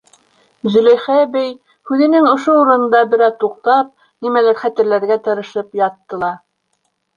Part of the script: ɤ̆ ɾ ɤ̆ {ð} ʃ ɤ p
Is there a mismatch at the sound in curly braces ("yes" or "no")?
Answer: yes